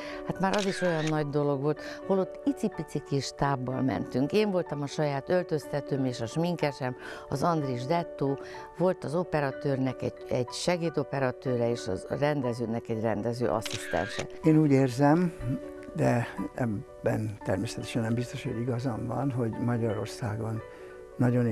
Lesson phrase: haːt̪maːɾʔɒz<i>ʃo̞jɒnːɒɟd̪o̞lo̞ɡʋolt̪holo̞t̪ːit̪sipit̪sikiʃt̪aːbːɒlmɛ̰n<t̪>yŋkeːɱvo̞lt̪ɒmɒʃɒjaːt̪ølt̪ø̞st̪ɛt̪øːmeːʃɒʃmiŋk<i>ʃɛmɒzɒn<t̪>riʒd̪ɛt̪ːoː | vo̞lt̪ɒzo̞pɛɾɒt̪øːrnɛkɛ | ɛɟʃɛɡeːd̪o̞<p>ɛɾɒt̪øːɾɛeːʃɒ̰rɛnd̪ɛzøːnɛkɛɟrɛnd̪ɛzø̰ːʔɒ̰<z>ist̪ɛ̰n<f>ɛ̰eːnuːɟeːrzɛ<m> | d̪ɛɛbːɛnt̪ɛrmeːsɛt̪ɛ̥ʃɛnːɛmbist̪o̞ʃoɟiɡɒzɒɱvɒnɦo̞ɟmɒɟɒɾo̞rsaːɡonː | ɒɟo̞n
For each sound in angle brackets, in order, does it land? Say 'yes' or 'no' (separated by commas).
yes, yes, no, no, yes, no, no, yes